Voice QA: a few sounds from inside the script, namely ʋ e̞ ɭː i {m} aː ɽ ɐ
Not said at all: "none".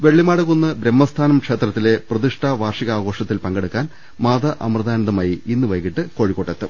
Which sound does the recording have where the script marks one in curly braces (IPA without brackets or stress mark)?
m